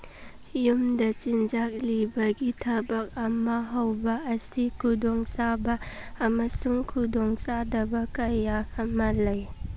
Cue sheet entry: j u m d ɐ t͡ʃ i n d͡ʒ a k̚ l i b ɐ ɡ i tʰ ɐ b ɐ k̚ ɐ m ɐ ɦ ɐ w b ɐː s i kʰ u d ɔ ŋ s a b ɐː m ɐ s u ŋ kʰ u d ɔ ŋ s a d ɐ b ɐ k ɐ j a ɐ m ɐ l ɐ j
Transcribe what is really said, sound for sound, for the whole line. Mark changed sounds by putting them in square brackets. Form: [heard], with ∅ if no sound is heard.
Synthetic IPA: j u m d ɐ t͡ʃ i n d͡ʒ a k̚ l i b ɐ ɡ i tʰ ɐ b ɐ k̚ ɐ m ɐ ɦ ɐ w b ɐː s i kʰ u d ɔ ŋ s a b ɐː m ɐ s u ŋ kʰ u d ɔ ŋ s a d ɐ b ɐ k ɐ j a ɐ m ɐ l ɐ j